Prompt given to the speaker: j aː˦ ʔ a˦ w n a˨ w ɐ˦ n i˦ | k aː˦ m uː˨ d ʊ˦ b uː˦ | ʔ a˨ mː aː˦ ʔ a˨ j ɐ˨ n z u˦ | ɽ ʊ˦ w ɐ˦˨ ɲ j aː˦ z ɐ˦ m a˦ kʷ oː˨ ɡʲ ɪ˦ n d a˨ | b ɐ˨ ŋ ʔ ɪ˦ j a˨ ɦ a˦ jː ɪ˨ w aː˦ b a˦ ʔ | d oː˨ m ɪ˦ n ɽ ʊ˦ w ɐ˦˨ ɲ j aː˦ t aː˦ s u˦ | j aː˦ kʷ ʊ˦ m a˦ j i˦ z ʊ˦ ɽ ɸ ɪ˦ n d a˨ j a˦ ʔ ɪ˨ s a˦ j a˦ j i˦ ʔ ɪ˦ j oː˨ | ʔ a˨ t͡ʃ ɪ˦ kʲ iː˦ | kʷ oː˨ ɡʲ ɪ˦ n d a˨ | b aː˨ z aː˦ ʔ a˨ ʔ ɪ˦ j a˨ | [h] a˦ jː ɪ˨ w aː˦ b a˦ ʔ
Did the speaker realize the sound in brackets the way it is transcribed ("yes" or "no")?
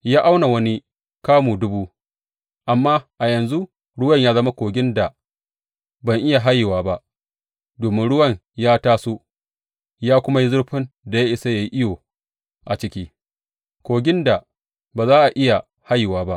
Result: yes